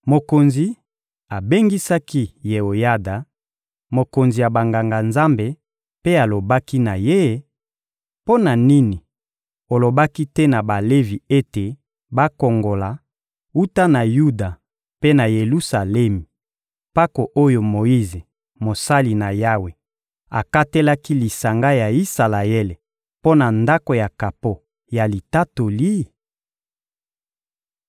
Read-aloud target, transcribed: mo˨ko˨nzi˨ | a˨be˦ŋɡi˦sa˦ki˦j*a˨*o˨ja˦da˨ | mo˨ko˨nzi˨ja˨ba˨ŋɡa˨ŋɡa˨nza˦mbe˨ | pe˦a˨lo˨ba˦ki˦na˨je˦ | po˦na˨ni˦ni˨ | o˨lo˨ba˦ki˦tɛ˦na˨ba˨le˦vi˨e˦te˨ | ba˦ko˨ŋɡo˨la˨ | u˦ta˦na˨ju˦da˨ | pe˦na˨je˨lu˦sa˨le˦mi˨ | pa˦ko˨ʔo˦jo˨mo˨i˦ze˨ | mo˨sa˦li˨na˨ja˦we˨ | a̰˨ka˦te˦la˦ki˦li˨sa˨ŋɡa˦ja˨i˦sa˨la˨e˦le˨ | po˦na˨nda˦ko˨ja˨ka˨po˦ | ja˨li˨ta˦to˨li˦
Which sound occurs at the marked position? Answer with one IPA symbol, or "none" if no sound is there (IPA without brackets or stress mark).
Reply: e˨